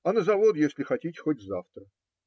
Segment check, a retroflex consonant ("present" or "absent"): absent